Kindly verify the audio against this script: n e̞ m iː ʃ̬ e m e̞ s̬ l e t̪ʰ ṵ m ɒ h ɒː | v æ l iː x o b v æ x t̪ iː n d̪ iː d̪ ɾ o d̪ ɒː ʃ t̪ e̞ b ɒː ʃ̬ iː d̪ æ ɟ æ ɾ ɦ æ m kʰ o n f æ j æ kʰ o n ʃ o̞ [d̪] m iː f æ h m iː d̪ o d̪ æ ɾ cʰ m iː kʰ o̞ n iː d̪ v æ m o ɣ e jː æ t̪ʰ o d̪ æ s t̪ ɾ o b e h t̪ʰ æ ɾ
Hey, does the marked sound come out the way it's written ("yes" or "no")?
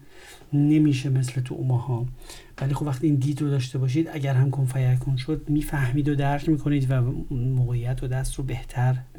yes